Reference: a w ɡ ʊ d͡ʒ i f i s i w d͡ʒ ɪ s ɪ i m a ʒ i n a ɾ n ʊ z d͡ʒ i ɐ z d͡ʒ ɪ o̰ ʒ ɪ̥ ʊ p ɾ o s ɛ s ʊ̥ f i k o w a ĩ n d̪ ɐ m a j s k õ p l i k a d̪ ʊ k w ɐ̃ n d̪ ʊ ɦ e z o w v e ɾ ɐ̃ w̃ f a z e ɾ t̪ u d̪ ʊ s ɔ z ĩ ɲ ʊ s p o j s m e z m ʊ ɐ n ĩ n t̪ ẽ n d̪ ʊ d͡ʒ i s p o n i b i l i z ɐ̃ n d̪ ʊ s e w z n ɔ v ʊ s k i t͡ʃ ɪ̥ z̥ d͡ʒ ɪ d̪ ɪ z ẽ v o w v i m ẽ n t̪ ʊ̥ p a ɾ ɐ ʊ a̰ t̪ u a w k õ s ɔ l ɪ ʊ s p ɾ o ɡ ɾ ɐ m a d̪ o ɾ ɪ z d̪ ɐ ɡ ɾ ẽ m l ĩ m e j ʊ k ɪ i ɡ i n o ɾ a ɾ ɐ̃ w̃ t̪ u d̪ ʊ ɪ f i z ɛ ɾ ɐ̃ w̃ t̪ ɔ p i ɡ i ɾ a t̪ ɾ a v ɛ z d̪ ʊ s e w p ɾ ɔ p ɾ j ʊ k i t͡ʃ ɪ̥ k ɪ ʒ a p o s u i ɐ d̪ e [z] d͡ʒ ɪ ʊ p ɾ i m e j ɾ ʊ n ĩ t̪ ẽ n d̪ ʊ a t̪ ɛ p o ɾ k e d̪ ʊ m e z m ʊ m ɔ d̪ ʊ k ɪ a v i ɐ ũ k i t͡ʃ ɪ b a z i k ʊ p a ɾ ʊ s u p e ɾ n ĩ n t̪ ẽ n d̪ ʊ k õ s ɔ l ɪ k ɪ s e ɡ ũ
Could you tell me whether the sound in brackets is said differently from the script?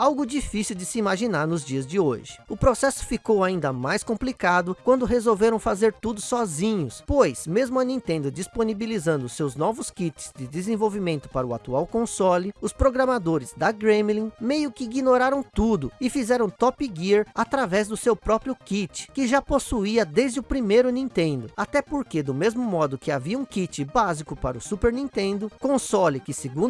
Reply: no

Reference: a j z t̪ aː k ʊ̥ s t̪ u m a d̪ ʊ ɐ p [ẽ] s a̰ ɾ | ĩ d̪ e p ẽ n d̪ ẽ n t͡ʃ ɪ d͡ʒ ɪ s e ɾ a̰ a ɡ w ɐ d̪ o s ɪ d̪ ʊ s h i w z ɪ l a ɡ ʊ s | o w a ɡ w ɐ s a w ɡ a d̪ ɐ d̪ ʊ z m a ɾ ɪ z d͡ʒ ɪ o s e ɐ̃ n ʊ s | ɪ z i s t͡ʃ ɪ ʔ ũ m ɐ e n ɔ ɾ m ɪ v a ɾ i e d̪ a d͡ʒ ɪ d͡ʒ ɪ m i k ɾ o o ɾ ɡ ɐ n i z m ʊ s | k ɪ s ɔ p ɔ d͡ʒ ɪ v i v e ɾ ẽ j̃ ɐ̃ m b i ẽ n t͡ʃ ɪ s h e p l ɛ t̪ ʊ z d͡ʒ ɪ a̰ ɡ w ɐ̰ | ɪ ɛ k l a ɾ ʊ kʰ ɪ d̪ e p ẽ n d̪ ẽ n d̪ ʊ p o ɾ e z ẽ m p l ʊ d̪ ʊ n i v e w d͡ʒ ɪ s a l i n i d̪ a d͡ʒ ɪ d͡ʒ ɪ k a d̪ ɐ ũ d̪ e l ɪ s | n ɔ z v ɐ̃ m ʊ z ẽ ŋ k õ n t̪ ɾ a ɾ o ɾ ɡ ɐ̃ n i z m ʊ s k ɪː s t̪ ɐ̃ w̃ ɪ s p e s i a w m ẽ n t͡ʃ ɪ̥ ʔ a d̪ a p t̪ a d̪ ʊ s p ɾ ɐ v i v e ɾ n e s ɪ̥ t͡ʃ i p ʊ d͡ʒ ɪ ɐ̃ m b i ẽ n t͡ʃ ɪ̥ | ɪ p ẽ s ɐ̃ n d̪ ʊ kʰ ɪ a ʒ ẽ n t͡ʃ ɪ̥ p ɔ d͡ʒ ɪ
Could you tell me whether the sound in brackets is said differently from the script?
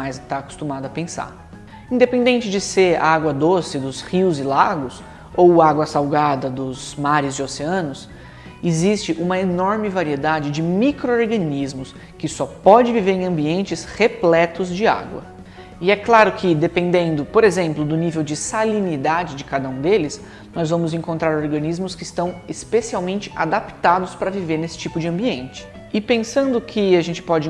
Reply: no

